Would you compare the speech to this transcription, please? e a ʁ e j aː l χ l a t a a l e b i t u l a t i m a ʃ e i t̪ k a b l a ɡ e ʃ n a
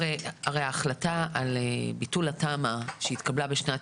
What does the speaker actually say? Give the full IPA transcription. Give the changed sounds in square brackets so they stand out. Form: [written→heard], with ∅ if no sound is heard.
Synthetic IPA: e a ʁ e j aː [l→∅] χ l a t a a l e b i t u l a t [i→a] m a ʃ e i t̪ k a b l a [ɡ→b] e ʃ n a